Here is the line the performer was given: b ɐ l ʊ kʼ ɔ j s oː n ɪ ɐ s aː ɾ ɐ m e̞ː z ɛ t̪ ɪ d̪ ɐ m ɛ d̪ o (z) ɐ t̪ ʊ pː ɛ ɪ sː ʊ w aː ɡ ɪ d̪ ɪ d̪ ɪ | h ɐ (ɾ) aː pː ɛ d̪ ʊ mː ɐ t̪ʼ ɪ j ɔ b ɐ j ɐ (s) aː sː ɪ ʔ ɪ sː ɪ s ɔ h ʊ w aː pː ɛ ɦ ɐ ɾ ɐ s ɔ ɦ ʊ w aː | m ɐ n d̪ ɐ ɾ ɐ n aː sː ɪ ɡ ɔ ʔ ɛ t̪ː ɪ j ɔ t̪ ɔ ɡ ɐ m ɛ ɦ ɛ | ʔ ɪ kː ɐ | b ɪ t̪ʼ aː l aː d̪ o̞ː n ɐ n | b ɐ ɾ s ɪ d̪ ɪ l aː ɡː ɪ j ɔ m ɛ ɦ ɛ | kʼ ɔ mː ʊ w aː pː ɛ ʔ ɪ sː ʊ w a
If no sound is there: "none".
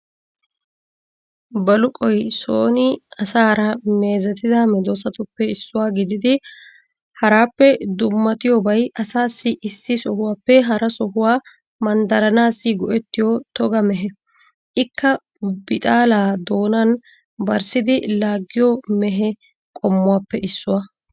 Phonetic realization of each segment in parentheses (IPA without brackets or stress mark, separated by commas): s, ɾ, s